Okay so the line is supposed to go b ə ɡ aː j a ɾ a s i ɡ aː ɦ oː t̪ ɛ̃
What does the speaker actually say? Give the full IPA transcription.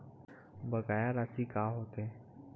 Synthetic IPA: b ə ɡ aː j a ɾ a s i k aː ɦ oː t̪ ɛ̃